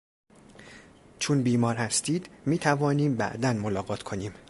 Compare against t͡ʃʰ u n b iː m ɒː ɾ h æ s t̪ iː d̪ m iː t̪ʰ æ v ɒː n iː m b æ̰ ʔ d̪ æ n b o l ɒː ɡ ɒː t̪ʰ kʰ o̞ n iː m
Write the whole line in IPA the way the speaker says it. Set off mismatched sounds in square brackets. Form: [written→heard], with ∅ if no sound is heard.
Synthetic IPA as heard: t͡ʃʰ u n b iː m ɒː ɾ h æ s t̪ iː d̪ m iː t̪ʰ æ v ɒː n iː m b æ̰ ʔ d̪ æ n [b→m] o l ɒː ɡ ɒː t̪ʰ kʰ o̞ n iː m